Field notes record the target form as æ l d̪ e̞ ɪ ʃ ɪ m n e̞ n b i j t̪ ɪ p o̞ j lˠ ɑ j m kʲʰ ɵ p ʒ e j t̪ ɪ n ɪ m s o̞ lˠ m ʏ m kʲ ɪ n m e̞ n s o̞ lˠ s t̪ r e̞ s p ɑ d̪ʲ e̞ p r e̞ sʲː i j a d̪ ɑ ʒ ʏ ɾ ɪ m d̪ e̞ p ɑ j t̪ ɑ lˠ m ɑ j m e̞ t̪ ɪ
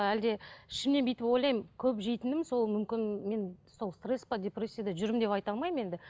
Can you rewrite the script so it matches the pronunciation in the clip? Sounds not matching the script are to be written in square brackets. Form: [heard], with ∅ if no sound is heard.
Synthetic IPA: æ l d̪ e̞ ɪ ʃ ɪ m n e̞ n b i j t̪ ɪ p o̞ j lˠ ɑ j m kʲʰ ɵ p ʒ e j t̪ ɪ n ɪ m s o̞ lˠ m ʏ m kʲ ɪ n m e̞ n s o̞ lˠ s t̪ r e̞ s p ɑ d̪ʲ e̞ p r e̞ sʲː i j a d̪ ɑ ʒ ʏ ɾ ɪ m d̪ e̞ p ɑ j t̪ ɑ lˠ m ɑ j m e̞ [d̪] ɪ